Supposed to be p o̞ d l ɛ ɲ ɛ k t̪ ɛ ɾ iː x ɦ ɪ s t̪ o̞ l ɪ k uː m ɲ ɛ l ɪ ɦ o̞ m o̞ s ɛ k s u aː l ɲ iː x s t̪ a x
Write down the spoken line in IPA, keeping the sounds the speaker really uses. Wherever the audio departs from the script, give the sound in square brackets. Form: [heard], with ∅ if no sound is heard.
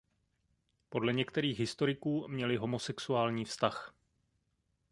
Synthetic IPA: p o̞ d l ɛ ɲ ɛ k t̪ ɛ ɾ iː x ɦ ɪ s t̪ o̞ [ɾ] ɪ k uː m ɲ ɛ l ɪ ɦ o̞ m o̞ s ɛ k s u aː l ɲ iː [f] s t̪ a x